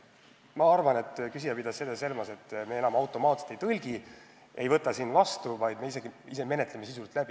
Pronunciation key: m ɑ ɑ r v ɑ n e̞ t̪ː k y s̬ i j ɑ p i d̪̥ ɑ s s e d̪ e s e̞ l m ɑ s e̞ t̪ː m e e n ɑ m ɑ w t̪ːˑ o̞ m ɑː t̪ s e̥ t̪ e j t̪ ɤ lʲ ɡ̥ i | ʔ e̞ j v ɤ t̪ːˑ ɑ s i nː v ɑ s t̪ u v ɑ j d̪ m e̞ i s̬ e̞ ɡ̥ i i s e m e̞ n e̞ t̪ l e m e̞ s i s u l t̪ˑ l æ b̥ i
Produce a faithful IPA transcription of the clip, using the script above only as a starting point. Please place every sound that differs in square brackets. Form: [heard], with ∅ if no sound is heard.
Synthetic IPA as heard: m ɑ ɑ r v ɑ n e̞ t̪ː k y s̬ i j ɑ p i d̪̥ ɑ s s e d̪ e s e̞ l m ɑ s e̞ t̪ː m e e n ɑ m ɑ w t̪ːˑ o̞ m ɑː t̪ s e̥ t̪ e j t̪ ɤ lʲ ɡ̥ i | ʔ e̞ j v ɤ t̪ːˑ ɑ s i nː v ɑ s t̪ u v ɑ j d̪ m e̞ i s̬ e̞ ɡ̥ i i s e m e̞ n e̞ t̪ l e m e̞ s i s u l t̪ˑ l æ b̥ i